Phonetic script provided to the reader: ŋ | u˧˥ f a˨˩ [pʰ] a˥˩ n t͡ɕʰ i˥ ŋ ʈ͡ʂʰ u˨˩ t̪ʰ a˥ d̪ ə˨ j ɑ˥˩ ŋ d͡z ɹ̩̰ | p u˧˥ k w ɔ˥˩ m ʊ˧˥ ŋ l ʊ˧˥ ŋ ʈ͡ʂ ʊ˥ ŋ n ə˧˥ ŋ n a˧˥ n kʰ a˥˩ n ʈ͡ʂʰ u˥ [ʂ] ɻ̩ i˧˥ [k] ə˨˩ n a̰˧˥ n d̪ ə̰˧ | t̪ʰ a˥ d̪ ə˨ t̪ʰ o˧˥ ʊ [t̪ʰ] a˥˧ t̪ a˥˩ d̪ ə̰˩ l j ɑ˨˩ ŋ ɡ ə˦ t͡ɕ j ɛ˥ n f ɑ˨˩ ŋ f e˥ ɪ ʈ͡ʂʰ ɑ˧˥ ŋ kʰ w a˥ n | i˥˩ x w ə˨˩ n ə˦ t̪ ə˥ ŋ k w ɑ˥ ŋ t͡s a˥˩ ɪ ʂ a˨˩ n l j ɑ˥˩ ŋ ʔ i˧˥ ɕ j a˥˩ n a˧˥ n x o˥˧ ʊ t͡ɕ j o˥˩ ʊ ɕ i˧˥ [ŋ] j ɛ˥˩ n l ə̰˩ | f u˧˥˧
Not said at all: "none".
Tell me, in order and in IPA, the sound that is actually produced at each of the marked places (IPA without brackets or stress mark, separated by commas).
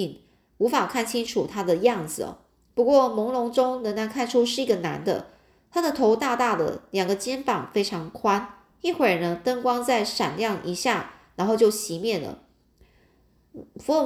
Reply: kʰ, ʂ, ɡ, t̪, m